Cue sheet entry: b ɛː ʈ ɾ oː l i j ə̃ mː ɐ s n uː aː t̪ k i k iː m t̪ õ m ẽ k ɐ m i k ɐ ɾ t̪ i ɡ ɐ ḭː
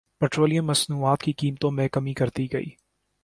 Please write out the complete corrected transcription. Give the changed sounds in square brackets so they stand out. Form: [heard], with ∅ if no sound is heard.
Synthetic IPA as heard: [p] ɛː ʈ ɾ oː l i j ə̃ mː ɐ s n uː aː t̪ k i k iː m t̪ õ m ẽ k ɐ m i k ɐ ɾ t̪ i ɡ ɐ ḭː